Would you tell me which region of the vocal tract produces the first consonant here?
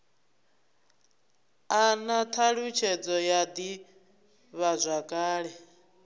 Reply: tongue tip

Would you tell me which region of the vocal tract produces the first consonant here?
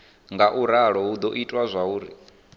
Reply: velum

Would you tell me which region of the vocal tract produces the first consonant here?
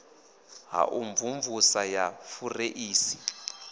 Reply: throat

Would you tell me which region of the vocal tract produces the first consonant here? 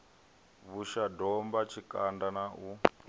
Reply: lips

